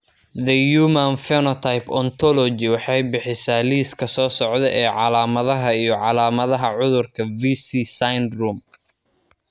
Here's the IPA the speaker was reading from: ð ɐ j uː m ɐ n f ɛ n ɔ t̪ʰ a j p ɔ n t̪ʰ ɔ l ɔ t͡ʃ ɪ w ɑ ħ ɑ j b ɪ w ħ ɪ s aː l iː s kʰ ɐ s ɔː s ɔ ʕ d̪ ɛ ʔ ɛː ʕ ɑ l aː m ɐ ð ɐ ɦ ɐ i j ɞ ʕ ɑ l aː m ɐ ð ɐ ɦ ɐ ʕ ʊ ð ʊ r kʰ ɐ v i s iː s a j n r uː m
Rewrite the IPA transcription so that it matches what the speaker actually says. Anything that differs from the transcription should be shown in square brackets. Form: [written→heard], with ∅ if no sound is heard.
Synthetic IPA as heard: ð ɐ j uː m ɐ n f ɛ n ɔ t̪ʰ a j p ɔ n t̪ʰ ɔ l ɔ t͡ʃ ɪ w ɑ ħ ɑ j b ɪ [w→∅] ħ ɪ s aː l iː s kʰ ɐ s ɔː s ɔ ʕ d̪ ɛ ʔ ɛː ʕ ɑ l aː m ɐ ð ɐ ɦ ɐ i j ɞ ʕ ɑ l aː m ɐ ð ɐ ɦ ɐ ʕ ʊ ð ʊ r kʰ ɐ v i s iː s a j n r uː m